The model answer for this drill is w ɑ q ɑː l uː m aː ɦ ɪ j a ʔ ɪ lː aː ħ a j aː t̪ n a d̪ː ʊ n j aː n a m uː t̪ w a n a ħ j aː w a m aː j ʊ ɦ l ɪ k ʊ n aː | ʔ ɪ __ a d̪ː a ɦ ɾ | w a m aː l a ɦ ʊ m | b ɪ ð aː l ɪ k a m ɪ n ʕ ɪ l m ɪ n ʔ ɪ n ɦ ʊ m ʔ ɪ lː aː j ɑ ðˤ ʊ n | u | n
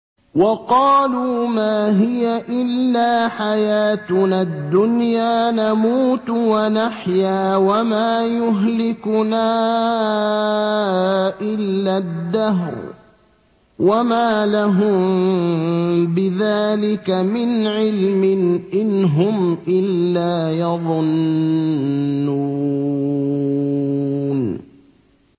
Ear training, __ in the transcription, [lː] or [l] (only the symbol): lː